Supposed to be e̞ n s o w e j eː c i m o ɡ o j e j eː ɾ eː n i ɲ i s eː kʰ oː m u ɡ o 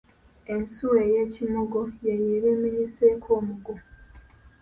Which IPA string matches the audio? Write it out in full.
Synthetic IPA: e̞ n s u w e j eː c i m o ɡ o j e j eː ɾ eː m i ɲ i s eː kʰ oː m u ɡ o